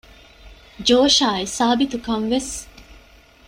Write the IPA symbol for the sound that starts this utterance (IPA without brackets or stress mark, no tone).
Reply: d͡ʒ